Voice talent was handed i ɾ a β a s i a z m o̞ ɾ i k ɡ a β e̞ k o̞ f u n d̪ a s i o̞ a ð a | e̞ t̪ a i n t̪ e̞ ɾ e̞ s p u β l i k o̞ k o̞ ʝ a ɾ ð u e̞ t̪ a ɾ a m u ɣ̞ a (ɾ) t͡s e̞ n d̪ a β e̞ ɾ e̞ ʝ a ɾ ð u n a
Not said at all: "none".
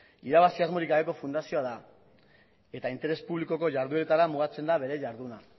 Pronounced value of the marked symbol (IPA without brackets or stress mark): none